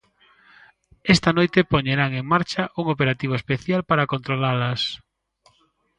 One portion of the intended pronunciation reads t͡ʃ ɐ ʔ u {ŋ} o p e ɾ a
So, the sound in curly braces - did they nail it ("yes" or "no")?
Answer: yes